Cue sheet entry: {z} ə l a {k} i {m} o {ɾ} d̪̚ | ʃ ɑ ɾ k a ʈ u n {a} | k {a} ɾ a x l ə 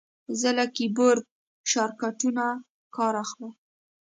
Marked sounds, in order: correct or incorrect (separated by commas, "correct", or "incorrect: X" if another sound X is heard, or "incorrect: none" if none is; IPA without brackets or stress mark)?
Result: correct, correct, incorrect: b, correct, correct, incorrect: ɑ